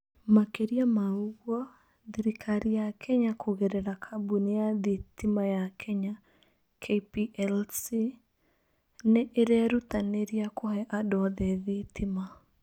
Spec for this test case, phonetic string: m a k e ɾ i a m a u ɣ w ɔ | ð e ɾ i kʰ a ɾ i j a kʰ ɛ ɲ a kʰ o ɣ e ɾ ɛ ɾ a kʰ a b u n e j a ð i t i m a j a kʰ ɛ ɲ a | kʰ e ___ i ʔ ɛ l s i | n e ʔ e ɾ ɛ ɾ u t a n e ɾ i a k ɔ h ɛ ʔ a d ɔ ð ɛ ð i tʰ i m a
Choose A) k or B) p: B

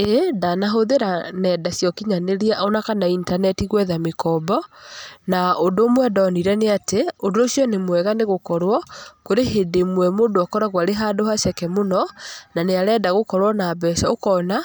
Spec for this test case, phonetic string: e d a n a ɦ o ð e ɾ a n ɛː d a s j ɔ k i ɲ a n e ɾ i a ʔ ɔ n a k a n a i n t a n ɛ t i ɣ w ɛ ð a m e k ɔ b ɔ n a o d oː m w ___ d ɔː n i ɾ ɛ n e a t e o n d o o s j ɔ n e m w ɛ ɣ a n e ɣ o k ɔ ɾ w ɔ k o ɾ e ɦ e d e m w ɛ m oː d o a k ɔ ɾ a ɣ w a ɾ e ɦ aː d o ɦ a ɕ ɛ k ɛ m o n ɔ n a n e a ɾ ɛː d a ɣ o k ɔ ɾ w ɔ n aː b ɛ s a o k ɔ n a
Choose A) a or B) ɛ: B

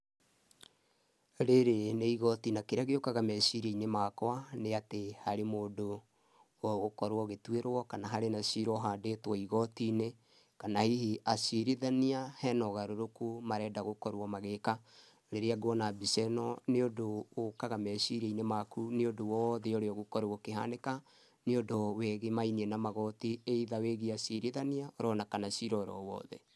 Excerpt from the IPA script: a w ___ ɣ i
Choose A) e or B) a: A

